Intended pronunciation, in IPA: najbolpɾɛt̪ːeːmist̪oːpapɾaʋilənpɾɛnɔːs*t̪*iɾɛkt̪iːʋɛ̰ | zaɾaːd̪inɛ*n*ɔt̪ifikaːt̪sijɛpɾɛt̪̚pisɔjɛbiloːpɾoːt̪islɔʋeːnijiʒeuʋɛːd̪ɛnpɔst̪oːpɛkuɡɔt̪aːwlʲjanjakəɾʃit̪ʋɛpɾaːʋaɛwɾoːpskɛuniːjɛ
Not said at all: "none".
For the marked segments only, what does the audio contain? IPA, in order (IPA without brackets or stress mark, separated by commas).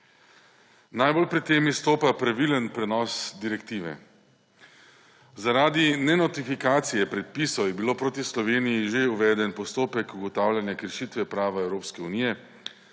d̪, n